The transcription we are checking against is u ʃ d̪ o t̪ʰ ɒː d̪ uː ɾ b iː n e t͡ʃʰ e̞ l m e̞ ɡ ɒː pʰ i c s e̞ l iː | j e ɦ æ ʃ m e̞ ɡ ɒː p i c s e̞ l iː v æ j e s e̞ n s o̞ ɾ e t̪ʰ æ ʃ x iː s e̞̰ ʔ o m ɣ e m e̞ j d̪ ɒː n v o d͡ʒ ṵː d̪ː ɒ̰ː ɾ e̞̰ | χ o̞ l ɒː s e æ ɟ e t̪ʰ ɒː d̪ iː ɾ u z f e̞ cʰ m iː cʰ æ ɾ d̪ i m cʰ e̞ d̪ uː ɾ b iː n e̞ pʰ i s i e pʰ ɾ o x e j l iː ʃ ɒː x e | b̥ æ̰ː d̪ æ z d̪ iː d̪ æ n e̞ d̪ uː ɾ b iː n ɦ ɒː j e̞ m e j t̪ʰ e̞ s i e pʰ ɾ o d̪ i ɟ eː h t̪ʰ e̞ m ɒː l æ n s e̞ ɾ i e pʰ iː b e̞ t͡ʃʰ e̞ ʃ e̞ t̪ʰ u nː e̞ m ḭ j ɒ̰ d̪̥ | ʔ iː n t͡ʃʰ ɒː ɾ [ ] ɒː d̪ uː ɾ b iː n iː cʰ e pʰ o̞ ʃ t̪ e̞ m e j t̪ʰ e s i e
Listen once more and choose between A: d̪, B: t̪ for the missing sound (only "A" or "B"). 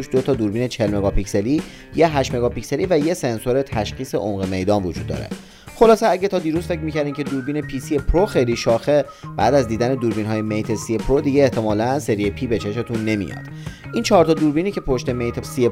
B